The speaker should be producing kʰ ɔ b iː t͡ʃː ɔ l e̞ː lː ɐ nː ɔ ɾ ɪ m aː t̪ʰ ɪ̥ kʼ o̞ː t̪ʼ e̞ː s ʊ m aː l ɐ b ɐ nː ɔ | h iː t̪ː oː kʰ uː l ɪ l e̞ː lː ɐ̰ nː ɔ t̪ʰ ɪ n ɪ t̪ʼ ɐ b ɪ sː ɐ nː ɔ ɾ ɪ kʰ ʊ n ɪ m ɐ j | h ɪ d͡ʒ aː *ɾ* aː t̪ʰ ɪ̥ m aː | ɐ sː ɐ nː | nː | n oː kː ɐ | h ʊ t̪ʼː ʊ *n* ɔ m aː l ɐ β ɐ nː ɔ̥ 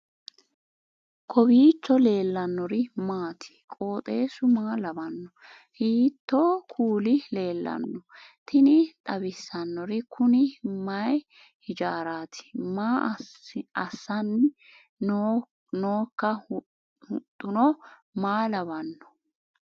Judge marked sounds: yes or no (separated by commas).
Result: yes, yes